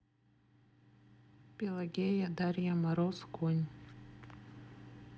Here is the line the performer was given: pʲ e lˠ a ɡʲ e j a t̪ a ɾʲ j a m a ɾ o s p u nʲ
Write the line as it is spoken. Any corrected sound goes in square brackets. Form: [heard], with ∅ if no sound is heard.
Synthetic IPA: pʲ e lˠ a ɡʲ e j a [d̪] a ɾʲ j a m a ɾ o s [k] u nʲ